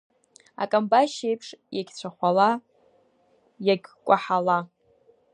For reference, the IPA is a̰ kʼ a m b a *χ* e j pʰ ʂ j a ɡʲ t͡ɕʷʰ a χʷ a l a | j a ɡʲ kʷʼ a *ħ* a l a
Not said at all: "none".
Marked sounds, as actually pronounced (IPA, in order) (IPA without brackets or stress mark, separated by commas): ʃ, ħ